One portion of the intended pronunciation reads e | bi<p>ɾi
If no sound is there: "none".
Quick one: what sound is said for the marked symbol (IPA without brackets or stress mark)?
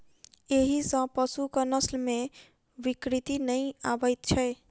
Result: k